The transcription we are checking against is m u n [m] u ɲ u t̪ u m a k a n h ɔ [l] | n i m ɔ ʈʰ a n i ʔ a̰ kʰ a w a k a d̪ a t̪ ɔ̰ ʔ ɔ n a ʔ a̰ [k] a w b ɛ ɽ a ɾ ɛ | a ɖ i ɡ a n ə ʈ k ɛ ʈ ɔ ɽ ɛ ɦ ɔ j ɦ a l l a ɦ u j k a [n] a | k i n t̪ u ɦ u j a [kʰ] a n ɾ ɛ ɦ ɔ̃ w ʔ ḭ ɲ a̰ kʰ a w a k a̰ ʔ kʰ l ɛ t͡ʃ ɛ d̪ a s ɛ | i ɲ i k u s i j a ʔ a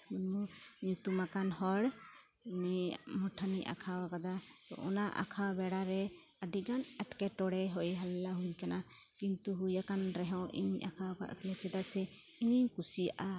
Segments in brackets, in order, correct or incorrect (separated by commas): correct, incorrect, incorrect, correct, incorrect